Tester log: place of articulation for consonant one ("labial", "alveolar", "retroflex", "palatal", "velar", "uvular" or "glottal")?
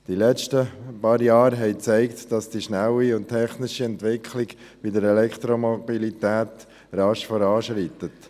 alveolar